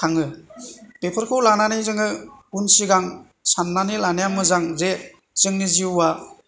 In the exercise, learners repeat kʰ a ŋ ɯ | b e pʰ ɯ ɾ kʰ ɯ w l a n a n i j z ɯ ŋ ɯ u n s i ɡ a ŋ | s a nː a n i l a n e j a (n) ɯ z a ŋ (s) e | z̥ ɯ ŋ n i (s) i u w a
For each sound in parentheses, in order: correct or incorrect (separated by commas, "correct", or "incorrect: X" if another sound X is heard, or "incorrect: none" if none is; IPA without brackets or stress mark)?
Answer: incorrect: m, incorrect: z, incorrect: z